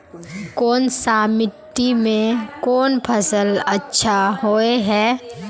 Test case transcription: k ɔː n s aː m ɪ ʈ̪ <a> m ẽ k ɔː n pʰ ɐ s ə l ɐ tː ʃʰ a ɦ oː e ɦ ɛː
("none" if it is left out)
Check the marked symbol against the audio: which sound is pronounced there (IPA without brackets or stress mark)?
i